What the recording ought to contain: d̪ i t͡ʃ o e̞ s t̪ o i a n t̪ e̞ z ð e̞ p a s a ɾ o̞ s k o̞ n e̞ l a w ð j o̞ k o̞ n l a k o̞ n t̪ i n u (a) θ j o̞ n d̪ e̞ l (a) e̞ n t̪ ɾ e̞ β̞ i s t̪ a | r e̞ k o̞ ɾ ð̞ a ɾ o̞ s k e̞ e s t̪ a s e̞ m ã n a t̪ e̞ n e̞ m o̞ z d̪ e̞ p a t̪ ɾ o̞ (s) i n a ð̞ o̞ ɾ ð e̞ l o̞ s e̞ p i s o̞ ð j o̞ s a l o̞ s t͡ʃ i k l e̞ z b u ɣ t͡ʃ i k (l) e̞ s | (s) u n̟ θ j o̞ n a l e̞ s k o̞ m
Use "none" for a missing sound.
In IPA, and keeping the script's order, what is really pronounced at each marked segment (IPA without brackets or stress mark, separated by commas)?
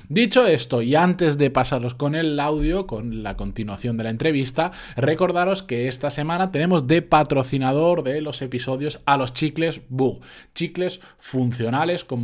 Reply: a, a, θ, l, f